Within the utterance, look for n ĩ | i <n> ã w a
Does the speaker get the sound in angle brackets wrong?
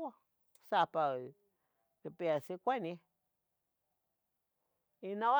no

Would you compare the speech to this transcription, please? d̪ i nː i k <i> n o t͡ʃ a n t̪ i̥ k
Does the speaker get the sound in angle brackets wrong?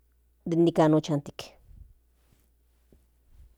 yes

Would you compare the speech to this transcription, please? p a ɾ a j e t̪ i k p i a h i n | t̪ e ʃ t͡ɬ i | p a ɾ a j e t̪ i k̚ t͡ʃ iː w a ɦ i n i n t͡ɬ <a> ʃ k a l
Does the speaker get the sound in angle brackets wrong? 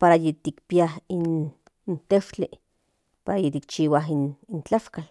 no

